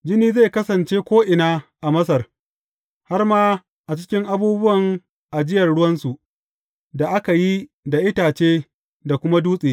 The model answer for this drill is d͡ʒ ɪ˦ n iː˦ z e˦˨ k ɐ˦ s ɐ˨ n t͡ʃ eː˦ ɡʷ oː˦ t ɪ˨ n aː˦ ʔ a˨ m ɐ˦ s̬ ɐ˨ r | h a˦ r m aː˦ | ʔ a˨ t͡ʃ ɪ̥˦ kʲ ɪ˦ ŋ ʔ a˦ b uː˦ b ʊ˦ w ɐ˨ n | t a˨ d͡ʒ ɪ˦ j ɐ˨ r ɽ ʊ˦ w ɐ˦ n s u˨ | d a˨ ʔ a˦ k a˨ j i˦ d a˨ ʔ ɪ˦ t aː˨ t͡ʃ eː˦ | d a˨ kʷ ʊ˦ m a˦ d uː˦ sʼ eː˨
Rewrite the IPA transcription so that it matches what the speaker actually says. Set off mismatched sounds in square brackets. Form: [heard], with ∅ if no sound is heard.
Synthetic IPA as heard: d͡ʒ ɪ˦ n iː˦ z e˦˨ k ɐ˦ s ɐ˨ n t͡ʃ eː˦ [kʷ] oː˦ [ʔ] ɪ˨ n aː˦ ʔ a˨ m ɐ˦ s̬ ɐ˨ r | h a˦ r m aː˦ | ʔ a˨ t͡ʃ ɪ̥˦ kʲ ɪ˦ ŋ ʔ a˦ b uː˦ b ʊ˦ w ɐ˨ [ŋ] | [ʔ] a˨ d͡ʒ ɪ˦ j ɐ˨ r ɽ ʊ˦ w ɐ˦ n s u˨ | d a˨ ʔ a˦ k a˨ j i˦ d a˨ ʔ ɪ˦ t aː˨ t͡ʃ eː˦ | d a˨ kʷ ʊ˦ m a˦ d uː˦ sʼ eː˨

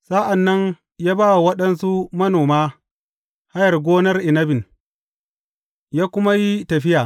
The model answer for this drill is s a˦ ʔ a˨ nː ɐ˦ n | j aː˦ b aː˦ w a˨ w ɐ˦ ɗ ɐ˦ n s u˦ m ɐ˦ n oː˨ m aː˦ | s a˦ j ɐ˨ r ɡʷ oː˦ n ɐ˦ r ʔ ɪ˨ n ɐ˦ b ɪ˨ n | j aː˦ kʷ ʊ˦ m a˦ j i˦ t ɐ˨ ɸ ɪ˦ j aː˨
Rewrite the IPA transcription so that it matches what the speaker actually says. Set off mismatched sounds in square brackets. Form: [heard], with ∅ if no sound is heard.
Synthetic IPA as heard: s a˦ ʔ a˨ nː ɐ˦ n | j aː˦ b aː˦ w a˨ w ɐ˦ ɗ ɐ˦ n s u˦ m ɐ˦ n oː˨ m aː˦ | [h] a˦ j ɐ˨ r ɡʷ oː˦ n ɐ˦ r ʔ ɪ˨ n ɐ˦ b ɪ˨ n | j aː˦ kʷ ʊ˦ m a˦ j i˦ t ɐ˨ ɸ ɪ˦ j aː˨

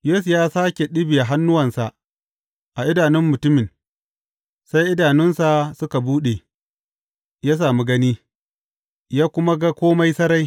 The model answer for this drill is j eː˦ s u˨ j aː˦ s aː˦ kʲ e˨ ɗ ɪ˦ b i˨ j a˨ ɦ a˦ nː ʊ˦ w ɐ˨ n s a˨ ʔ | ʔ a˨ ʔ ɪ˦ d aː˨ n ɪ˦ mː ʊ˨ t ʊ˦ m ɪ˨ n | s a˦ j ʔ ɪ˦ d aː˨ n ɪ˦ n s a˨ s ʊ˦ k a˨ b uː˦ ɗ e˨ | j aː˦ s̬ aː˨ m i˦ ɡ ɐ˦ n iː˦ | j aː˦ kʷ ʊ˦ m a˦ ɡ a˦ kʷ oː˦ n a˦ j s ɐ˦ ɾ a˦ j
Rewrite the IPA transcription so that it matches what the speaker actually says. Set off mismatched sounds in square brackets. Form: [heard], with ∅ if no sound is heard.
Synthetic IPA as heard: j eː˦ s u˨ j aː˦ s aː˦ kʲ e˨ ɗ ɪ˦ b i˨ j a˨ ɦ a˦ nː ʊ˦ w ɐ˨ n s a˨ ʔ | ʔ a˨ ʔ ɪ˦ d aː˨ n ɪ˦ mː ʊ˨ t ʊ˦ m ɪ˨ n | s a˦ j ʔ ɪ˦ d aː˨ n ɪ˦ n s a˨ s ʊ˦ k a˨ b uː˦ ɗ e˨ | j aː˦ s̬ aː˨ m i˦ ɡ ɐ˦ n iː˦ | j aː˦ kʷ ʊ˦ m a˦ ɡ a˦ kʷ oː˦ [m] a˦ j s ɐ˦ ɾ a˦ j

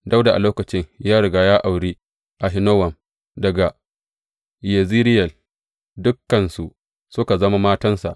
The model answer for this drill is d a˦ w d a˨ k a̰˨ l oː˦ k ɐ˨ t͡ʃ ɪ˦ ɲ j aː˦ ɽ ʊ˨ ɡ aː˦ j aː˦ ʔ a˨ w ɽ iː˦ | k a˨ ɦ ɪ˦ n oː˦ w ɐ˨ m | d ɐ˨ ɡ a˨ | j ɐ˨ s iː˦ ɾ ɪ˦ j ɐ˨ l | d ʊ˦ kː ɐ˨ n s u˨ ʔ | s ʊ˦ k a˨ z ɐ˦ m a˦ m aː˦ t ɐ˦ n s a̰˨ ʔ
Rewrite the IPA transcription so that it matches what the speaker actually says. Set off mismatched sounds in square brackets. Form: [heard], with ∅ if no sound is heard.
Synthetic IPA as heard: d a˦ w d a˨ [ʔ] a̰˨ l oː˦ k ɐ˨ t͡ʃ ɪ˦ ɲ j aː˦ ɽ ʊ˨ ɡ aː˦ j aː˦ ʔ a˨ w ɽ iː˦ | [ʔ] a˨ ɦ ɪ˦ n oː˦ w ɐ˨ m | d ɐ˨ ɡ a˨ | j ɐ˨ [z] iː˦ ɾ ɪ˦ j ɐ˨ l | d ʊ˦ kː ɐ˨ n s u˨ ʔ | s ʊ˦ k a˨ z ɐ˦ m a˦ m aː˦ t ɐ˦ n s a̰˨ ʔ

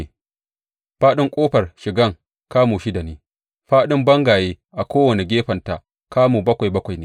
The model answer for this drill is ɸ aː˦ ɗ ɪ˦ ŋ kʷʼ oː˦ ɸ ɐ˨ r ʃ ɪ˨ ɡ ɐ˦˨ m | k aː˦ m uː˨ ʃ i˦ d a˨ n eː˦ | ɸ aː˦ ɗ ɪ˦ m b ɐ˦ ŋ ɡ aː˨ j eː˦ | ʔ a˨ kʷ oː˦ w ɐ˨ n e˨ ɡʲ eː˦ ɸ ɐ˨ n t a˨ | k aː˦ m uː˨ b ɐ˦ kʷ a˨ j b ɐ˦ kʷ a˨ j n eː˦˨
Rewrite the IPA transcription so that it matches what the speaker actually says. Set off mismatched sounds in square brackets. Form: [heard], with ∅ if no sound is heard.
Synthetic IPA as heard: ɸ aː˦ ɗ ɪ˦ ŋ kʷʼ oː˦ ɸ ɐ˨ r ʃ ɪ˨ ɡ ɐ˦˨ [ŋ] | k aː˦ m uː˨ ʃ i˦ d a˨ n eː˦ | ɸ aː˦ ɗ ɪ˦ m b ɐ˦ ŋ ɡ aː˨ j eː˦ | ʔ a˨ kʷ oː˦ w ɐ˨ n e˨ ɡʲ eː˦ ɸ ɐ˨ n t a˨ | k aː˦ m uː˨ b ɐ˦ kʷ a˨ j b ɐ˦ kʷ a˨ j n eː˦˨

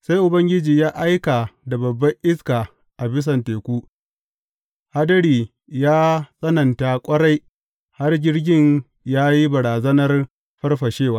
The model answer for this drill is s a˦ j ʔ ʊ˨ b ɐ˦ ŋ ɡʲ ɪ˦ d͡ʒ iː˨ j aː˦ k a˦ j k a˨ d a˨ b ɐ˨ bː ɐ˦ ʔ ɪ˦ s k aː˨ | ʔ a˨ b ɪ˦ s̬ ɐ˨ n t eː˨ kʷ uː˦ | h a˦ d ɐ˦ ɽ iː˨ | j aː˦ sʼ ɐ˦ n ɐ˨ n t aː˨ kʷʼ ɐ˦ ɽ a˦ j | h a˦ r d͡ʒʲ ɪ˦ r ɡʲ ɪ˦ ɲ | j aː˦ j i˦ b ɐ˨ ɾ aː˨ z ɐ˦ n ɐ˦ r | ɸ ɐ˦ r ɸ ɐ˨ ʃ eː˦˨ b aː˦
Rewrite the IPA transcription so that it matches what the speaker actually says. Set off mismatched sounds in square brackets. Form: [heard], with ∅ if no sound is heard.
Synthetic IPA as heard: s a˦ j ʔ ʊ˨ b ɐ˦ ŋ ɡʲ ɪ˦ d͡ʒ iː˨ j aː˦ [ʔ] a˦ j k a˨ d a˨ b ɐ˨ bː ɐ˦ ʔ ɪ˦ s k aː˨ | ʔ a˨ b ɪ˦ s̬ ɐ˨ n t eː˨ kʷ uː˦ | h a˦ d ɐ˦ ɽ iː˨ | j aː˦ sʼ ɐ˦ n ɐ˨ n t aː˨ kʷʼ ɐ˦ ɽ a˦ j | h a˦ r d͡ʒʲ ɪ˦ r ɡʲ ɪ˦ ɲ | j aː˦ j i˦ b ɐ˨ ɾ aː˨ z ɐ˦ n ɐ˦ r | ɸ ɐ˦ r ɸ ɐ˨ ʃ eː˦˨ [w] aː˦

